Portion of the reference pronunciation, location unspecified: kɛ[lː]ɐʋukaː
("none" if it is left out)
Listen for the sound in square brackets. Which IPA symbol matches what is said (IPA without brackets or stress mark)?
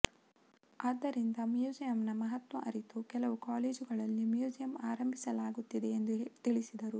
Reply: l